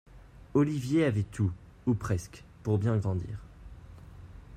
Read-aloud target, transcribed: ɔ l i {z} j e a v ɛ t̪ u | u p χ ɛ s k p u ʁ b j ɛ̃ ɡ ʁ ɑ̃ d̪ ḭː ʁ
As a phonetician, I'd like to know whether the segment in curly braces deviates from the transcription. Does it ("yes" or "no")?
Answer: yes